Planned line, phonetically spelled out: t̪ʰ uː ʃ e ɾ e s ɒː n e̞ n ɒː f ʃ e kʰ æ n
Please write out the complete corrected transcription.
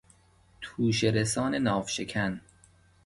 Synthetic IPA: t̪ʰ uː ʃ e ɾ e s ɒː n e̞ n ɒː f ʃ e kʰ æ n